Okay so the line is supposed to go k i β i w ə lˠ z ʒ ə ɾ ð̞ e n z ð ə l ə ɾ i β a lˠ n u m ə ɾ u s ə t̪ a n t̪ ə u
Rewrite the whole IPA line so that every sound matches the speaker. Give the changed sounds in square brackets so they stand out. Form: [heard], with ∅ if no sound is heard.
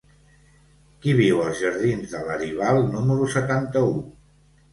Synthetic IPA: k i β i w ə lˠ z ʒ ə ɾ ð̞ [i] n z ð ə l ə ɾ i β a lˠ n u m ə ɾ u s ə t̪ a n t̪ ə u